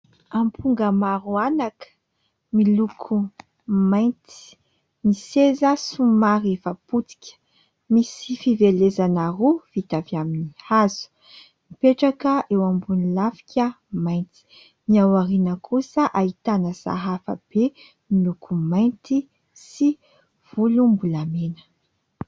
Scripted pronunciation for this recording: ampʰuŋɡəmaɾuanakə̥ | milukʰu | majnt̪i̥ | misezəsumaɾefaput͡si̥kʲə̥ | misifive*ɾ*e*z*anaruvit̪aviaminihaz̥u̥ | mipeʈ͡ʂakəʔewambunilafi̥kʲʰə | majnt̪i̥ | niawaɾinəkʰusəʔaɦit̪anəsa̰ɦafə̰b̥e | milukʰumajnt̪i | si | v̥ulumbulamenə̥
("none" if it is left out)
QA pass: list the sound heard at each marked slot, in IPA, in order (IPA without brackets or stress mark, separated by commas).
l, z